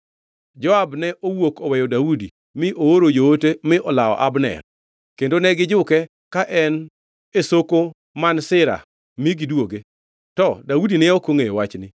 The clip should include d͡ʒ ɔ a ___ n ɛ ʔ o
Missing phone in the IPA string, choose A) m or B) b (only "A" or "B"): B